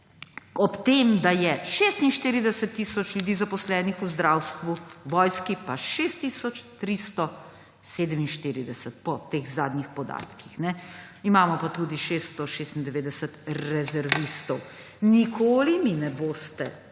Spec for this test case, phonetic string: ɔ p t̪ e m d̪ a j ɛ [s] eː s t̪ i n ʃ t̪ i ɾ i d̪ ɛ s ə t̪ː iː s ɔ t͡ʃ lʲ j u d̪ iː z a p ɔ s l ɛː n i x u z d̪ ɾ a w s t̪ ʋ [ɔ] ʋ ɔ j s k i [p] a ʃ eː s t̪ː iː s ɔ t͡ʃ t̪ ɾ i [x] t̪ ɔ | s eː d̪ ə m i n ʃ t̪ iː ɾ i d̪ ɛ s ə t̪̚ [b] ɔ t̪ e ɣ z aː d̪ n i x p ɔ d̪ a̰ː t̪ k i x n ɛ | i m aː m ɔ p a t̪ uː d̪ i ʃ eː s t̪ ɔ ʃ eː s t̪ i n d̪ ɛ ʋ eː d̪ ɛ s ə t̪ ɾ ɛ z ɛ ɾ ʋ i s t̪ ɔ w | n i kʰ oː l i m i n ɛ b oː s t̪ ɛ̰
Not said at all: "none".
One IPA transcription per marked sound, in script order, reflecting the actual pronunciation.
ʃ, u, p, s, p

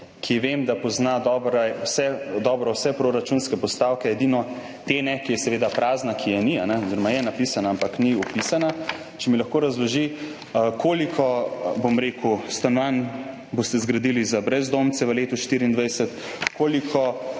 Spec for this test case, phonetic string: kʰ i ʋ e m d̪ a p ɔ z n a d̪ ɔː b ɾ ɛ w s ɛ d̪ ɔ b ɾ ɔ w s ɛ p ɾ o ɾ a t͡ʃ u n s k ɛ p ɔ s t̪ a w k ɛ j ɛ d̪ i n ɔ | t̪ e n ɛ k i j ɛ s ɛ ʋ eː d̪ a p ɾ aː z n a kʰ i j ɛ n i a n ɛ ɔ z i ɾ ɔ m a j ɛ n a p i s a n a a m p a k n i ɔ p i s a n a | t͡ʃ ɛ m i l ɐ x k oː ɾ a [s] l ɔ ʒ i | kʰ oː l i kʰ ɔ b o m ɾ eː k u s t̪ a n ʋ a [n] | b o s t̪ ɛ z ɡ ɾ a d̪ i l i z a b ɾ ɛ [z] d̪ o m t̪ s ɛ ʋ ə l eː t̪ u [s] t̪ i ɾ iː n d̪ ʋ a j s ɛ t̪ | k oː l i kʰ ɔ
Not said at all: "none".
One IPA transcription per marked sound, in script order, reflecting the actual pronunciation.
z, n, z, ʃ

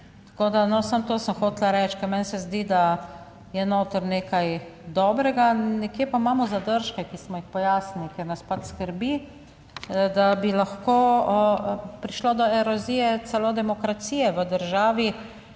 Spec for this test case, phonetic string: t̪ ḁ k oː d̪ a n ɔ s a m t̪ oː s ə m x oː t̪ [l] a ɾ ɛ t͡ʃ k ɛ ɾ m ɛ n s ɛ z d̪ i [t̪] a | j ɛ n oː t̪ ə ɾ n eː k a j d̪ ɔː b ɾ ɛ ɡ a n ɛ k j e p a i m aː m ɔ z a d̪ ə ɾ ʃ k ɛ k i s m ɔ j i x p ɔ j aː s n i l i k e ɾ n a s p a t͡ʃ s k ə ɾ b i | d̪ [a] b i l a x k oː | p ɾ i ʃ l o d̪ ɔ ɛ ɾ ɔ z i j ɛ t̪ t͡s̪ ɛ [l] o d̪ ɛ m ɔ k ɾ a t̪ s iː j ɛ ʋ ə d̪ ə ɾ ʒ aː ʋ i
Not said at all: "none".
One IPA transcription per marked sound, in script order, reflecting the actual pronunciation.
l, d̪, a, l

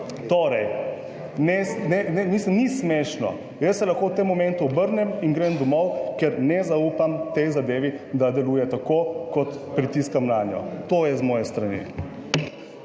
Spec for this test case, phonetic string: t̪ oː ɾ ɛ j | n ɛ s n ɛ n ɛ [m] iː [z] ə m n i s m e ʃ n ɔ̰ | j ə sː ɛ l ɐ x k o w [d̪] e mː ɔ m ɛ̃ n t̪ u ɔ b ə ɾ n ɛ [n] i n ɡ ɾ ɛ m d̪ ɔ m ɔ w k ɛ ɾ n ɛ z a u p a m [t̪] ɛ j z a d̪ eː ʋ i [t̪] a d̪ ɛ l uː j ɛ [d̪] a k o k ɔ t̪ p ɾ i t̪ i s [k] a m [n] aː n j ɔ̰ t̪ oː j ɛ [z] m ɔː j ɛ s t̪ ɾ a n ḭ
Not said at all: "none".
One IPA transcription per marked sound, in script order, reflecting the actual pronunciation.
n, s, t̪, m, t̪, d̪, t̪, k, n, z

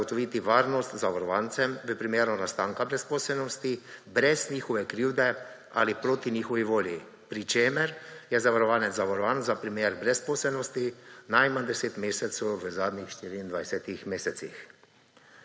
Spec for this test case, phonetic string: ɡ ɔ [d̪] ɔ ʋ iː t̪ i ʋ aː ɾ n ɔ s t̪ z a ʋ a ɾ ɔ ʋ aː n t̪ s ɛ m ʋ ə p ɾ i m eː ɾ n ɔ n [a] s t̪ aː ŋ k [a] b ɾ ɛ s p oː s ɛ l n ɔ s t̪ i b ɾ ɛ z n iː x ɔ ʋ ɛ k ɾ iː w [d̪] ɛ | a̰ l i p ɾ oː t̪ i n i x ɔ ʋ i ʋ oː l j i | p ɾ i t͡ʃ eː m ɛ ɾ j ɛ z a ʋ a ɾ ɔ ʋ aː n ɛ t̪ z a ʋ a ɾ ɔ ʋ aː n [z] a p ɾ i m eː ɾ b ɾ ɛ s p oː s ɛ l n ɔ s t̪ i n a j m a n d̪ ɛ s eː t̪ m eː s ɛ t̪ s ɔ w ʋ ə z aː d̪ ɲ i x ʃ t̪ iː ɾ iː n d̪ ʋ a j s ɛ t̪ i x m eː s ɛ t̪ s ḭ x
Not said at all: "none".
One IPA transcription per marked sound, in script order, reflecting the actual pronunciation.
t̪, a, a, d̪, z

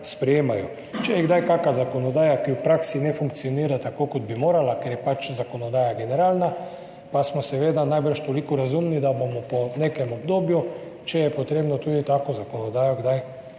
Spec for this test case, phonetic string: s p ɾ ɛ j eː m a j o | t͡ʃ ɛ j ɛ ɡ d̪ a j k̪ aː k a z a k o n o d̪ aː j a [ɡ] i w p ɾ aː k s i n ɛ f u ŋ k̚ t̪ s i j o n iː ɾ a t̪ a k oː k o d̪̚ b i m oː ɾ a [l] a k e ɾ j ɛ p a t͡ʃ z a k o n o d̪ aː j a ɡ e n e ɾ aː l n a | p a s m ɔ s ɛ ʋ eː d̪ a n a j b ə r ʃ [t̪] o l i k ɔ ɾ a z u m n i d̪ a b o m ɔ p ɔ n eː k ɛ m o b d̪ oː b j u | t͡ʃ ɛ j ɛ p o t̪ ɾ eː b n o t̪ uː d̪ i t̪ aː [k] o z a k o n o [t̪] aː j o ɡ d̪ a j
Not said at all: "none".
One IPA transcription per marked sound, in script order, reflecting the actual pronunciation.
k, l, t̪, k, d̪

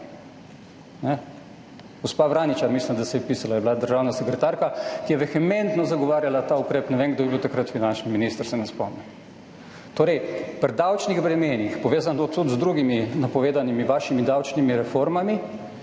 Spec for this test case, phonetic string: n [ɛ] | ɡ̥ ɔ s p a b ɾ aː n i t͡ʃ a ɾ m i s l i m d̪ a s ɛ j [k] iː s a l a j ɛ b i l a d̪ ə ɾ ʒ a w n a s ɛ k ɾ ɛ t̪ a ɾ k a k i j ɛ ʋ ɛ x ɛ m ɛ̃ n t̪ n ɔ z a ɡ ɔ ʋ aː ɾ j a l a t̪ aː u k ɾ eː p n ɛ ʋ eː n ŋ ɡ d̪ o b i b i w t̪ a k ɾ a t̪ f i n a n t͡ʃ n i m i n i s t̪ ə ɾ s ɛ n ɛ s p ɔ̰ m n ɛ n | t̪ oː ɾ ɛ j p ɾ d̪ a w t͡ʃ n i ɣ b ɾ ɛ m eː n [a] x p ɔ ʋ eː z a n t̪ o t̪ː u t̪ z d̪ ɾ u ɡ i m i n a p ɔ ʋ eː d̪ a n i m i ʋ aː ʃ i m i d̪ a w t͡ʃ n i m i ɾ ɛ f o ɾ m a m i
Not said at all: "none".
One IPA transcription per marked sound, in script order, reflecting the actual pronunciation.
ɛ, p, i

